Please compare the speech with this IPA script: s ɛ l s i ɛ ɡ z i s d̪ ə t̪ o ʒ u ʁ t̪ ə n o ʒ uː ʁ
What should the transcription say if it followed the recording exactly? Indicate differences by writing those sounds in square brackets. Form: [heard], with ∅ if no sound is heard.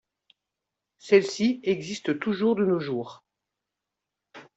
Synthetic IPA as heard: s ɛ l s i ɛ ɡ z i s [t̪] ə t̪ [u] ʒ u ʁ [d̪] ə n o ʒ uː ʁ